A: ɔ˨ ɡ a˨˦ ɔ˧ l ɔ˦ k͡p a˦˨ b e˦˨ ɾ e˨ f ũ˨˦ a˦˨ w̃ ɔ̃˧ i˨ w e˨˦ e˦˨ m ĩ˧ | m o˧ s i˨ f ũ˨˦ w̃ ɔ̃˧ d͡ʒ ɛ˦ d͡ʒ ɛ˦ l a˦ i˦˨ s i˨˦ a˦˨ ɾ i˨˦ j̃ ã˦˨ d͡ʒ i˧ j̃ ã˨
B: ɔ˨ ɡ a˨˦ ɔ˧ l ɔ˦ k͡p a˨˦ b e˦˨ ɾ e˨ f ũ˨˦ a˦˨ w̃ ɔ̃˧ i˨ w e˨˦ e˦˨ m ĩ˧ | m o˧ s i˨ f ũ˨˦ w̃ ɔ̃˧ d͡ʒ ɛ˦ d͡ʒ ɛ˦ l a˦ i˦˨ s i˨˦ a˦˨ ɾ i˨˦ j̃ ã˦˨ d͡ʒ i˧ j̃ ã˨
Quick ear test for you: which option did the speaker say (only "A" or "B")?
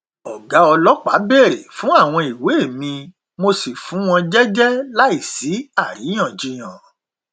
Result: B